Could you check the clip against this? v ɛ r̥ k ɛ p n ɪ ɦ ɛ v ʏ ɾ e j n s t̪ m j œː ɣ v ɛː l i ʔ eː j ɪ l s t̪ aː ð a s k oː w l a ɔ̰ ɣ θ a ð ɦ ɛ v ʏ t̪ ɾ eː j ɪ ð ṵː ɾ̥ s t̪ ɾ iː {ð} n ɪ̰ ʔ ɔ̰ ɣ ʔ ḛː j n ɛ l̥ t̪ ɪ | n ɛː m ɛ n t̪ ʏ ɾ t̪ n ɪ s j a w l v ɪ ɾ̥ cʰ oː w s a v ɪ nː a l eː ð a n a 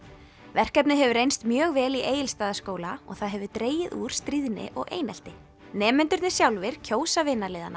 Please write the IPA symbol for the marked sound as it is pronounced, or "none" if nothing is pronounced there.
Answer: ð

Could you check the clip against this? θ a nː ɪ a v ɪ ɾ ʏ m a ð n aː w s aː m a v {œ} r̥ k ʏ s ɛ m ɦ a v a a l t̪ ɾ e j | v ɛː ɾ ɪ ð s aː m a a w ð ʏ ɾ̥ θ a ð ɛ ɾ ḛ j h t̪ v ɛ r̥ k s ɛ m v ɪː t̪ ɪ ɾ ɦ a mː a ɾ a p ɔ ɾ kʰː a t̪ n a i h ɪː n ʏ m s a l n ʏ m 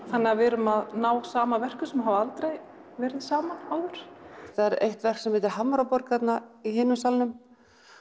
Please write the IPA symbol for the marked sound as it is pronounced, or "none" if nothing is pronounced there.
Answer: ɛ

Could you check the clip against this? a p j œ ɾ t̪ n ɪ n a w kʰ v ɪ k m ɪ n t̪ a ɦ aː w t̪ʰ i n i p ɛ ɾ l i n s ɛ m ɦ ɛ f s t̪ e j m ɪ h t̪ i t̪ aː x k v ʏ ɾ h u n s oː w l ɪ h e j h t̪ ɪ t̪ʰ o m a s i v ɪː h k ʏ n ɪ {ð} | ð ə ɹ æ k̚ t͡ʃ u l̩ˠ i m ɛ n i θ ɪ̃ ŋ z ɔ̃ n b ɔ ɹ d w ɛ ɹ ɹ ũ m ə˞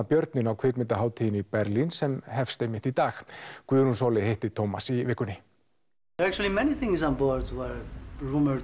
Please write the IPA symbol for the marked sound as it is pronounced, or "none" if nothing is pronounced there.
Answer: none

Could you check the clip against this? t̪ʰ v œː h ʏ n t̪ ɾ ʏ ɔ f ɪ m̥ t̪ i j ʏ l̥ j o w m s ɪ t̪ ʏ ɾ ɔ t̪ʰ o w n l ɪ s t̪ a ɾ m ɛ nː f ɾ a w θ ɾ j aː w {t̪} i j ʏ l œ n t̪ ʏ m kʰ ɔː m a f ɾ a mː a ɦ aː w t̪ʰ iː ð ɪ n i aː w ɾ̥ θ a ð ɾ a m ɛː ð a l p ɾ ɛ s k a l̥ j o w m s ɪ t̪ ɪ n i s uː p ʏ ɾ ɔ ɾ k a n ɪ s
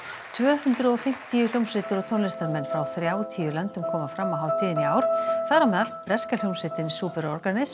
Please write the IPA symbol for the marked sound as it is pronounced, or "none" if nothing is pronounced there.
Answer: t̪ʰ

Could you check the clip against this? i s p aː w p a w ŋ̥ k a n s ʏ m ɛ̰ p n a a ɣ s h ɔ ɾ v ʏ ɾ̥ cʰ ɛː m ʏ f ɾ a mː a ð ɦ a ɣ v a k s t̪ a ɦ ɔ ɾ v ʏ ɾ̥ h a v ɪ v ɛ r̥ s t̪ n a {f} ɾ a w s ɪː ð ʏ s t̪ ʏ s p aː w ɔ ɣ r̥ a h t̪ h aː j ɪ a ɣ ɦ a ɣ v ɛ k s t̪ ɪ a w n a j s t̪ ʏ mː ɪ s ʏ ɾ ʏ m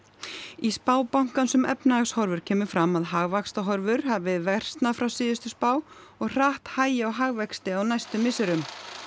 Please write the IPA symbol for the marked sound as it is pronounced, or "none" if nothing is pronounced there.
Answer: f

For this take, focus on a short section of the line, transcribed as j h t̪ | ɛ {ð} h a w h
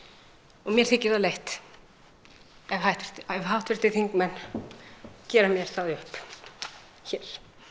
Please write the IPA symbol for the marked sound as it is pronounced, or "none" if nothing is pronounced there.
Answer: v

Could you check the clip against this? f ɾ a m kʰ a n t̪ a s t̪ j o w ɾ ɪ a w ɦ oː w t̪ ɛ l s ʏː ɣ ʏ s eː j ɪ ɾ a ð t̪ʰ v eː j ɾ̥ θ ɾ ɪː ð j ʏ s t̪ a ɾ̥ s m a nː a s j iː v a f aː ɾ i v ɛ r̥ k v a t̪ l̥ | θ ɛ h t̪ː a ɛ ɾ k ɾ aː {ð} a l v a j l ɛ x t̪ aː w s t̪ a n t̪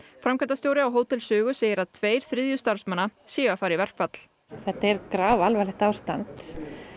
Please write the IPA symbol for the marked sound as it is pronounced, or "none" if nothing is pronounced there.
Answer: v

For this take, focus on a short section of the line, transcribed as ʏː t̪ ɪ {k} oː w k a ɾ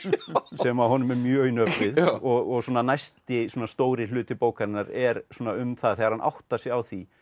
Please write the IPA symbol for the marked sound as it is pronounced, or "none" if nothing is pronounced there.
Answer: p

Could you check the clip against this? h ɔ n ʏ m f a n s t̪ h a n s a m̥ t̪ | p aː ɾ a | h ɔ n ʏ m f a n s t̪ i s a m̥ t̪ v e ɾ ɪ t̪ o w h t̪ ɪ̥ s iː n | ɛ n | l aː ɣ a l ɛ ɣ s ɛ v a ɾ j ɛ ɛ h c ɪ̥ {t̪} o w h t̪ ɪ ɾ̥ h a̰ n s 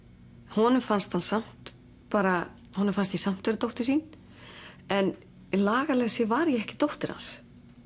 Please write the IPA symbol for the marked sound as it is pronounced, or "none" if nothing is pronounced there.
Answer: t̪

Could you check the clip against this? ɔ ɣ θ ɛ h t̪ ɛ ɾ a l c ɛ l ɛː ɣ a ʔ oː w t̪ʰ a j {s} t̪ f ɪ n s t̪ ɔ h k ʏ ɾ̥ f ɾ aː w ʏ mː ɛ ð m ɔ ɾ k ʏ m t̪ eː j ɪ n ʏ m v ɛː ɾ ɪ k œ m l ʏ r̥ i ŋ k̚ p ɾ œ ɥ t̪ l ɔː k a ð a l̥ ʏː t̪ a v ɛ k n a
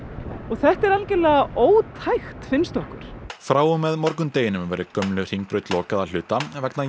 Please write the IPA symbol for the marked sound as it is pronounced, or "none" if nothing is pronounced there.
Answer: x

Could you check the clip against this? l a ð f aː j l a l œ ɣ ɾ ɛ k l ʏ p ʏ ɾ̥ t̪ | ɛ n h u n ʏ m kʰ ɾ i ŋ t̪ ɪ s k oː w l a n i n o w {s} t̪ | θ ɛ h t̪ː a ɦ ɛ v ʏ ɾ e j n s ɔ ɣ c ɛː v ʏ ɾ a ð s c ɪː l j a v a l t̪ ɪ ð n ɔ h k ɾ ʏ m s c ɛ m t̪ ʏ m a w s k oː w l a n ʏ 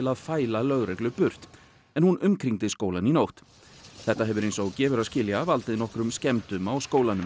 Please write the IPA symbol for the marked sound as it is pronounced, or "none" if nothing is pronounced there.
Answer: h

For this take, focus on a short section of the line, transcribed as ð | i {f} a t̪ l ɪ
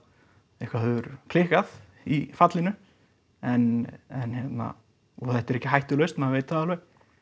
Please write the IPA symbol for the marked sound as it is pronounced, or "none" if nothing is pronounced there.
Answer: f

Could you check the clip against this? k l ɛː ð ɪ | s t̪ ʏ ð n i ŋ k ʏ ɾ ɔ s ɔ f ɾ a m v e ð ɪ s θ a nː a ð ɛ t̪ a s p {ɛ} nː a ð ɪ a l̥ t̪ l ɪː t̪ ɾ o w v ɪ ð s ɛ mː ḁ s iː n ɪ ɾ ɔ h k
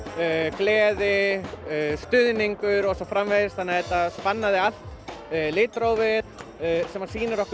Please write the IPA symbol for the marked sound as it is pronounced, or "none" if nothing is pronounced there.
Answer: a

